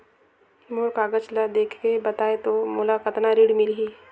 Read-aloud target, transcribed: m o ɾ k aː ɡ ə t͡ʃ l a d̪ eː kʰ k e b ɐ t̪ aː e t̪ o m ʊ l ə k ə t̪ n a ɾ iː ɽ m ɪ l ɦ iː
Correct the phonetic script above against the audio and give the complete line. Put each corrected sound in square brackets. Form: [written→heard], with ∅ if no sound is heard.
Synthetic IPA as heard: m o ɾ k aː ɡ ə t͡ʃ l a d̪ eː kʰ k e b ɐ t̪ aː e t̪ o m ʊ l [ə→a] k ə t̪ n a ɾ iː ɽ m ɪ l ɦ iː